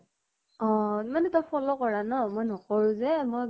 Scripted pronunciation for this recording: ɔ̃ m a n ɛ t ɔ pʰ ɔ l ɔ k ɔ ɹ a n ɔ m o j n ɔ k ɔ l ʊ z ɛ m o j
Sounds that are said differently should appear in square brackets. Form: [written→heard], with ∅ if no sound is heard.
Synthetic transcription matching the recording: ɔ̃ m a n ɛ t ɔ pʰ ɔ l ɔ k ɔ ɹ a n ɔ m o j n ɔ k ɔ [l→ɹ] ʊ z ɛ m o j